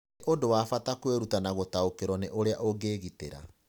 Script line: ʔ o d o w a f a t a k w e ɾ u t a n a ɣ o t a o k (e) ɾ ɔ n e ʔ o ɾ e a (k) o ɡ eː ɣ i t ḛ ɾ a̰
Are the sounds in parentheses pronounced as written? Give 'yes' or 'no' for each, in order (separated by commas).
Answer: yes, no